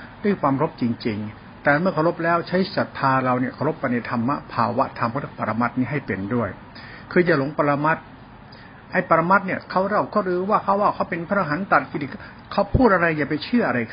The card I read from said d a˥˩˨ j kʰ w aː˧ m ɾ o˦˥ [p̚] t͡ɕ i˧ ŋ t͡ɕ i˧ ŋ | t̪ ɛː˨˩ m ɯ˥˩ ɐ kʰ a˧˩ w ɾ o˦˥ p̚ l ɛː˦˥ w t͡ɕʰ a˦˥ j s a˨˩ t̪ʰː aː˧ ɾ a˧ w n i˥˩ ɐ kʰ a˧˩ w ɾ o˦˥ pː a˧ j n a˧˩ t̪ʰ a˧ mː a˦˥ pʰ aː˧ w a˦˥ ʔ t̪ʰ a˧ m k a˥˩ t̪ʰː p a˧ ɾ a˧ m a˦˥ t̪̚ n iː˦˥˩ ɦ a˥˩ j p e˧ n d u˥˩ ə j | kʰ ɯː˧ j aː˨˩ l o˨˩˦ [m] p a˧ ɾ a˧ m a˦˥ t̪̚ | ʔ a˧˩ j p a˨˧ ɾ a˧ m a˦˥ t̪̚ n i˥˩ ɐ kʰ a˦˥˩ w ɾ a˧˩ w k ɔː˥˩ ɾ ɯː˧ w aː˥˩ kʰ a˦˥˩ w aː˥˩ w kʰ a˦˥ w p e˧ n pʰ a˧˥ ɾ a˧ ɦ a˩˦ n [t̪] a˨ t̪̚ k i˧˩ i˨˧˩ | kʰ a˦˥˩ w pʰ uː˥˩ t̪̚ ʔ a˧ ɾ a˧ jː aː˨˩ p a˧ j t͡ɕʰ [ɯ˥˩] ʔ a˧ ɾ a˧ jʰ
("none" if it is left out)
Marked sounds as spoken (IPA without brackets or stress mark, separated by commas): p̚, ŋ, t̪, ɯ˥˩